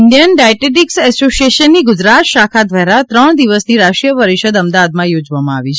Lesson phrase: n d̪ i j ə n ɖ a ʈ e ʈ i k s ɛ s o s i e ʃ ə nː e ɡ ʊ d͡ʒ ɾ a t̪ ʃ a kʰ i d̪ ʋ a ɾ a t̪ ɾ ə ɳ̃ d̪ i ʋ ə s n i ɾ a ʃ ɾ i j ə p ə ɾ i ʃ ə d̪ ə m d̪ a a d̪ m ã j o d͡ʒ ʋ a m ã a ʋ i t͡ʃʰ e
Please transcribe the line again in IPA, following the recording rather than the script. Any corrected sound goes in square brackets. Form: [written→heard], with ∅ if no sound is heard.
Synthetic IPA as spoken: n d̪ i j ə n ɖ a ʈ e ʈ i k s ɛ s o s i e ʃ ə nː [e→i] ɡ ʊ d͡ʒ ɾ a t̪ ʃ a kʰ [i→a] d̪ ʋ a ɾ a t̪ ɾ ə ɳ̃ d̪ i ʋ ə s n i ɾ a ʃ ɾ i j ə p ə ɾ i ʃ ə d̪ ə m d̪ a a d̪ m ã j o d͡ʒ ʋ a m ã a ʋ i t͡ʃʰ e

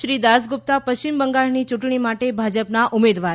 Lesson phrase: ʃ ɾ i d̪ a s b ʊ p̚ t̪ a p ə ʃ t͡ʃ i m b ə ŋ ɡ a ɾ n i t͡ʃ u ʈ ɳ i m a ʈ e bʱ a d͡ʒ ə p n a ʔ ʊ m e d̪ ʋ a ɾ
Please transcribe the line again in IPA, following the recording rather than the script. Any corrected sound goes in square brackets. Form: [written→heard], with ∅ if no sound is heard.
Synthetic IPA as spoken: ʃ ɾ i d̪ a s [b→ɡ] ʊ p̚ t̪ a p ə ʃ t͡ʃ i m b ə ŋ ɡ a [ɾ→ɭ] n i t͡ʃ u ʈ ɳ i m a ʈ e bʱ a d͡ʒ ə p n a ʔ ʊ m e d̪ ʋ a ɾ

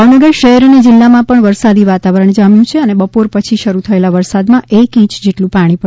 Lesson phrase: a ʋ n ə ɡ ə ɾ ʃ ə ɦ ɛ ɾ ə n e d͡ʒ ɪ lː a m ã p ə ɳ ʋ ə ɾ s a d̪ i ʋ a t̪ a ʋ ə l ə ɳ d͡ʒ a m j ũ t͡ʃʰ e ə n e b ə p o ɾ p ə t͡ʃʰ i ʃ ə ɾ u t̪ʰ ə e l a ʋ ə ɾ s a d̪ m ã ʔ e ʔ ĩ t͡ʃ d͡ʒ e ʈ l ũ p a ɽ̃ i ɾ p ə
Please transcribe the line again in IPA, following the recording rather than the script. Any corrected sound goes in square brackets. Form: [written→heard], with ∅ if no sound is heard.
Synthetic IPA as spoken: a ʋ n ə ɡ ə ɾ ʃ ə ɦ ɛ ɾ ə n e d͡ʒ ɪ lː a m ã p ə ɳ ʋ ə ɾ s a d̪ i ʋ a t̪ a ʋ ə [l→ɾ] ə ɳ d͡ʒ a m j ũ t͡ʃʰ e ə n e b ə p o ɾ p ə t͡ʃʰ i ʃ ə ɾ u t̪ʰ ə e l a ʋ ə ɾ s a d̪ m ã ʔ e [ʔ→k] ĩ t͡ʃ d͡ʒ e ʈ l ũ p a ɽ̃ i [ɾ→∅] p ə

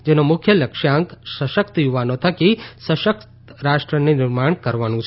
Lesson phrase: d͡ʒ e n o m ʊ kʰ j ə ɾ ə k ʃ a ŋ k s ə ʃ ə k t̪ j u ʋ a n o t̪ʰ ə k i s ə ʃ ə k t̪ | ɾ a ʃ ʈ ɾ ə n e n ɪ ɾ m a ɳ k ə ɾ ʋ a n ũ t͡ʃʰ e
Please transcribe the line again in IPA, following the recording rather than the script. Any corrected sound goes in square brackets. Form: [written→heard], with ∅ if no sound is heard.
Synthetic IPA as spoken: d͡ʒ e n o m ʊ kʰ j ə [ɾ→l] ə k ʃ a ŋ k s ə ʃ ə k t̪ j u ʋ a n o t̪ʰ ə k i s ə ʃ ə k t̪ | ɾ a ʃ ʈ ɾ ə n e n ɪ ɾ m a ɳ k ə ɾ ʋ a n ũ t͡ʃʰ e

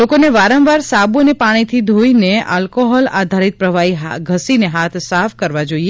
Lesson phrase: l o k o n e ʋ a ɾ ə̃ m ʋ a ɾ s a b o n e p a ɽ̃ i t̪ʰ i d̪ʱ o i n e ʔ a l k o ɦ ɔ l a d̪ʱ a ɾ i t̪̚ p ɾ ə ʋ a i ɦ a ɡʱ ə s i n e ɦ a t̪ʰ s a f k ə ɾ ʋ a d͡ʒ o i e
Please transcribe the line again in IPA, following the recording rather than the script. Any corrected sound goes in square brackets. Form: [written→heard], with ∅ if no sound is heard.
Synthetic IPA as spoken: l o k o n e ʋ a ɾ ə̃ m ʋ a ɾ s a b o n e p a ɽ̃ i t̪ʰ i d̪ʱ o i n e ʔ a l k o ɦ ɔ l a d̪ʱ a ɾ i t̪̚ p ɾ ə ʋ a i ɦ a ɡʱ ə s i n e ɦ a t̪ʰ s a f k ə ɾ ʋ a d͡ʒ o i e

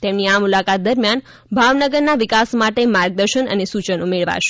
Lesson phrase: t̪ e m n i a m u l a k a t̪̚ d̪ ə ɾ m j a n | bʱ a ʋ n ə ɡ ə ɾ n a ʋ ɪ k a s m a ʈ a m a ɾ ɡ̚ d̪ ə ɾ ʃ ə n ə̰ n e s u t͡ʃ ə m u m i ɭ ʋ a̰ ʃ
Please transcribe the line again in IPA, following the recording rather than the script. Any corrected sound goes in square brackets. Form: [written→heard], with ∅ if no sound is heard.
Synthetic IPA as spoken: t̪ e m n i a m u l a k a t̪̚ d̪ ə ɾ m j a n | bʱ a ʋ n ə ɡ ə ɾ n a ʋ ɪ k a s m a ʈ [a→e] m a ɾ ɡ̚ d̪ ə ɾ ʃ ə n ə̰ n e s u t͡ʃ ə [m→n] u m [i→e] ɭ ʋ a̰ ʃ

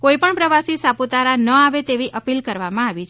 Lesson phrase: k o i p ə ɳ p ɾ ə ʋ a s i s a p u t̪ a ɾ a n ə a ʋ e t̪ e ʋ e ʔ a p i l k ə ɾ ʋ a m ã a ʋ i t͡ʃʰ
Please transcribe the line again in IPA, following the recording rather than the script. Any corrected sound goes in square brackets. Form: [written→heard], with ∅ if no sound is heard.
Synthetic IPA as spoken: k o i p ə ɳ p ɾ ə ʋ a s i s a p u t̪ a ɾ a n ə a ʋ e t̪ e ʋ [e→i] ʔ [a→ə] p i l k ə ɾ ʋ a m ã a ʋ i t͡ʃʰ

